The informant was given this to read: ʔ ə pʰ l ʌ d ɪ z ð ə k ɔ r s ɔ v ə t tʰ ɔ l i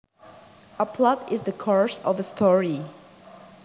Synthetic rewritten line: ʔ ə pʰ l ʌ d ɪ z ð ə kʰ ɔ ɹ s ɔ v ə s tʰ ɔ ɹ i

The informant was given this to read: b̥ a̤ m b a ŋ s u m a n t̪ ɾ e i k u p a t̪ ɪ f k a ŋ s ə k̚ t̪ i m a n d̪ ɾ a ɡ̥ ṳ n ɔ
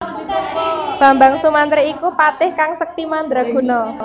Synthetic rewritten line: b̥ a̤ m b a ŋ s u m a n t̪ ɾ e i k u p a t̪ ɪ h k a ŋ s ə k̚ t̪ i m a n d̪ ɾ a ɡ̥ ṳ n ɔ

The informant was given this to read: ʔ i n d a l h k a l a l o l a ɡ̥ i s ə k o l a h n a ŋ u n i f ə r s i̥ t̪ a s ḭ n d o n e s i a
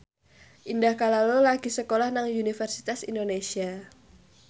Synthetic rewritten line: ʔ i n d a h k a l a l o l a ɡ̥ i s ə k o l a h n a ŋ u n i f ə r s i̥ t̪ a s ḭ n d o n e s i a

